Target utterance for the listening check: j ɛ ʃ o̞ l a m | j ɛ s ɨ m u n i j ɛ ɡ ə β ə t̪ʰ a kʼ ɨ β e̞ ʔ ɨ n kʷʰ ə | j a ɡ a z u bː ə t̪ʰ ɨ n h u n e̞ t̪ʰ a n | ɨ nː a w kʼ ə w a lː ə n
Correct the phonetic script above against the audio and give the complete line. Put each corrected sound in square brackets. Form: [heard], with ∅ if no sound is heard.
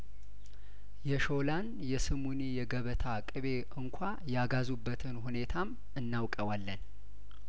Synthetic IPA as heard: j ɛ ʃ o̞ l a [n] | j ɛ s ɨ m u n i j ɛ ɡ ə β ə t̪ʰ a kʼ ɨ β e̞ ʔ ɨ [ŋ] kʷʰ [a] | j a ɡ a z u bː ə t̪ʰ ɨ n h u n e̞ t̪ʰ a [m] | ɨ nː a w kʼ ə w a lː ə n

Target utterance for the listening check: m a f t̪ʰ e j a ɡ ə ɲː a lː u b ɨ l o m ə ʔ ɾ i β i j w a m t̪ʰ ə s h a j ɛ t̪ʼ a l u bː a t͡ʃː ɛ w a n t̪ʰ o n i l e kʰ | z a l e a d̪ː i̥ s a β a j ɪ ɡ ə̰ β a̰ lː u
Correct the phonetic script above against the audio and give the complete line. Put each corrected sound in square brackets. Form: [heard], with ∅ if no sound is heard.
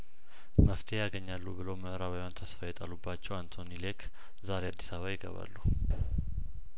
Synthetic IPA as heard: m [ə] f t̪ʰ e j a ɡ ə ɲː a lː u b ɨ l o m ə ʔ ɾ [a] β [a] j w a [n] t̪ʰ ə s [f] a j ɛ t̪ʼ a l u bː a t͡ʃː ɛ w a n t̪ʰ o n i l e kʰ | z a [ɾ] e a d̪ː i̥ s a β a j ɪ ɡ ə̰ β a̰ lː u

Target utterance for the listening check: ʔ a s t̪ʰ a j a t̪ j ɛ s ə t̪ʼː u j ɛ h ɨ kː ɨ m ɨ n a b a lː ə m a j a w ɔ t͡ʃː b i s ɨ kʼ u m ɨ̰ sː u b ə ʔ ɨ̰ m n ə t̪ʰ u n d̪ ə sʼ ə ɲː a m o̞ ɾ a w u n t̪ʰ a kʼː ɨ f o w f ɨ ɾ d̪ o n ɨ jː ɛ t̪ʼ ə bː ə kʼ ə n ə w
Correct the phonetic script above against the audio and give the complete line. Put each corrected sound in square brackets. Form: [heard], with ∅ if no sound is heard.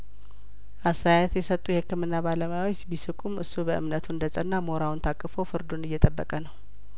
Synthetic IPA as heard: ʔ a s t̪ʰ a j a t̪ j ɛ s ə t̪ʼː u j ɛ h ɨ kː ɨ m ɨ [nː] a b a [l] ə m a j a w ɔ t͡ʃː b i s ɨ kʼ u m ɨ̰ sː u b ə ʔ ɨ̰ m n ə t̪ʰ u n d̪ ə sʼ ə [nː] a m o̞ ɾ a w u n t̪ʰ a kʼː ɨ f o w f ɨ ɾ d̪ o n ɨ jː ɛ t̪ʼ ə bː ə kʼ ə n ə w

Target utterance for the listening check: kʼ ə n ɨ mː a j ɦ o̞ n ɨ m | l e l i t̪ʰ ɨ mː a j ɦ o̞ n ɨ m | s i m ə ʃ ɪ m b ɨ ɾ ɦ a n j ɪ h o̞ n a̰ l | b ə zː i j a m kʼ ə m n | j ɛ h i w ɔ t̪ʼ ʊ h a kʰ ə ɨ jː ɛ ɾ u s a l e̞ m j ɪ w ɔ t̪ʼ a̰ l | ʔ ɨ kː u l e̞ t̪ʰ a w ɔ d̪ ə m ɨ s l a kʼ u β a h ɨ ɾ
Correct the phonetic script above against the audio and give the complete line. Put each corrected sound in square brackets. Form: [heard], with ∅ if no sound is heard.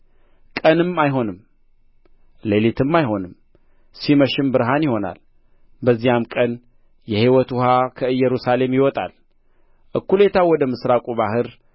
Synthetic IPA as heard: kʼ ə n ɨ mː a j ɦ o̞ n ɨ m | l e l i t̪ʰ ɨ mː a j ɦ o̞ n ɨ m | s i m ə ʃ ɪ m b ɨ ɾ ɦ a n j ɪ h o̞ n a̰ l | b ə zː i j a m kʼ ə [∅] n | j ɛ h i w ɔ [t̪] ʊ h a kʰ ə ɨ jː ɛ ɾ u s a l e̞ m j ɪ w ɔ t̪ʼ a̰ l | ʔ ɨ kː u l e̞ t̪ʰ a w ɔ d̪ ə m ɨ s [ɾ] a kʼ u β a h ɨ ɾ

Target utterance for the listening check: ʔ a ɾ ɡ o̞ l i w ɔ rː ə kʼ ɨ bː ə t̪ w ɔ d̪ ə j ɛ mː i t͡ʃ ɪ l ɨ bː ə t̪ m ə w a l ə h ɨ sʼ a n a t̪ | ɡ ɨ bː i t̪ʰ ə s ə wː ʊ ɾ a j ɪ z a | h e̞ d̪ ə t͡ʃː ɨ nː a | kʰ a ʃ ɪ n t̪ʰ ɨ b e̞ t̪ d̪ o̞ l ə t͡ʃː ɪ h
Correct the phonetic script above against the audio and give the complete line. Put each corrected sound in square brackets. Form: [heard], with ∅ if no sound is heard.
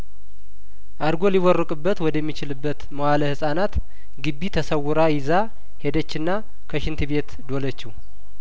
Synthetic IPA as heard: ʔ a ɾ ɡ o̞ l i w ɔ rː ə kʼ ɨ bː ə t̪ w ɔ d̪ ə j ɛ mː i t͡ʃ ɪ l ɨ bː ə t̪ m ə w a l ə h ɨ sʼ a n a t̪ | ɡ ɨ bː i t̪ʰ ə s ə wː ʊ ɾ a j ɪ z a | h e̞ d̪ ə t͡ʃː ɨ nː a | kʰ [ə] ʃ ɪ n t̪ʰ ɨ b e̞ t̪ d̪ o̞ l ə t͡ʃː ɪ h

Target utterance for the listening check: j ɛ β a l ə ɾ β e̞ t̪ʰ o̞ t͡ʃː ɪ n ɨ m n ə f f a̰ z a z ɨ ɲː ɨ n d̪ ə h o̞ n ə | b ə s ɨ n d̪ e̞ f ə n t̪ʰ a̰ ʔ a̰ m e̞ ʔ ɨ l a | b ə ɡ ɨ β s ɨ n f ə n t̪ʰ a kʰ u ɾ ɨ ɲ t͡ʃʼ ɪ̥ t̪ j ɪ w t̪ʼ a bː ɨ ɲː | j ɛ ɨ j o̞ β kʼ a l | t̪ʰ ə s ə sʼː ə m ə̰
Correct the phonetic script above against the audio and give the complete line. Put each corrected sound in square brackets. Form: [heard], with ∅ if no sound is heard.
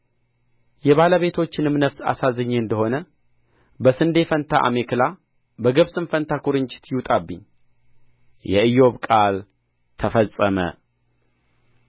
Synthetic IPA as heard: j ɛ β a l ə [∅] β e̞ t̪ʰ o̞ t͡ʃː ɪ n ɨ m n ə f [s] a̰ [s] a z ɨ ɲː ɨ n d̪ ə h o̞ n ə | b ə s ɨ n d̪ e̞ f ə n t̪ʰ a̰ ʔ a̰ m e̞ [k] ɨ l a | b ə ɡ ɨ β s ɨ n f ə n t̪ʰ a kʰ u ɾ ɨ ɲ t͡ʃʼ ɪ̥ t̪ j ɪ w t̪ʼ a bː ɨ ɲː | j ɛ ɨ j o̞ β kʼ a l | t̪ʰ ə [f] ə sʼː ə m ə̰

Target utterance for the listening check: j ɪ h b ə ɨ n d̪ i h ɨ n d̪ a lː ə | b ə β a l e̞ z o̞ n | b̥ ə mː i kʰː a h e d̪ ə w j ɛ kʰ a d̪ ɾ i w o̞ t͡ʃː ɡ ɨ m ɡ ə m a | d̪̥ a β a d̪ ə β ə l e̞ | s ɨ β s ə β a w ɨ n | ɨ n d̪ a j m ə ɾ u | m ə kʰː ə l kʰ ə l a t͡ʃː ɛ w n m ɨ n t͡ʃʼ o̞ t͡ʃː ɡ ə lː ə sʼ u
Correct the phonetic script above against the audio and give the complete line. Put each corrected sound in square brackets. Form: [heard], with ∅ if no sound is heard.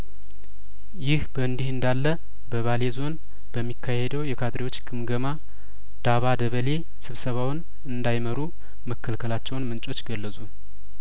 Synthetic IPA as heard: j ɪ h b ə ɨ n d̪ i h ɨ n d̪ a lː ə | b ə β a l e̞ z o̞ n | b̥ ə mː i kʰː a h e d̪ ə w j ɛ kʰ a d̪ ɾ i w o̞ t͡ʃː ɡ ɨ m ɡ ə m a | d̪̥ a β a d̪ ə β ə l e̞ | s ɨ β s ə β a w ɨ n | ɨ n d̪ a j m ə ɾ u | m ə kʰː ə l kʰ ə l a t͡ʃː ɛ w n m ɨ n t͡ʃʼ o̞ t͡ʃː ɡ ə lː ə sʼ u

